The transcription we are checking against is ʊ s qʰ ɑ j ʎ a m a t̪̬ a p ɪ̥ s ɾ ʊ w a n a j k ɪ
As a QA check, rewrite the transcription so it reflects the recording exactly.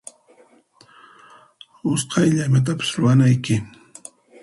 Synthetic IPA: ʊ s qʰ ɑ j ʎ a m a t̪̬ a p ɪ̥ s ɾ ʊ w a n a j k ɪ